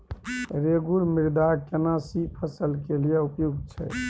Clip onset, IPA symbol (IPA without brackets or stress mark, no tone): ɾ